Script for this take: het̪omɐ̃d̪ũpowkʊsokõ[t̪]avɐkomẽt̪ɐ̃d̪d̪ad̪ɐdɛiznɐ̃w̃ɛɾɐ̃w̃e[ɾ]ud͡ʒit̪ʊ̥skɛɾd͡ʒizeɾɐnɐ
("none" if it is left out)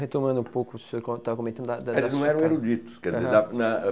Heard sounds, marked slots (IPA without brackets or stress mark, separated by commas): t̪, ɾ